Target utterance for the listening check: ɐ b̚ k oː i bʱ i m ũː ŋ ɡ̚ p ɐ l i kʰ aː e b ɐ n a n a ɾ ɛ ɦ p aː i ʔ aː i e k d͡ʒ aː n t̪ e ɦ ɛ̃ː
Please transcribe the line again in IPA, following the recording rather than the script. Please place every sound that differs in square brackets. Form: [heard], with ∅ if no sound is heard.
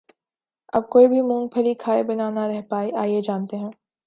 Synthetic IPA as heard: ɐ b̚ k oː i bʱ i m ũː ŋ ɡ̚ [pʰ] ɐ l i kʰ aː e b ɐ n a n a ɾ ɛ ɦ p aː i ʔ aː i e [∅] d͡ʒ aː n t̪ e ɦ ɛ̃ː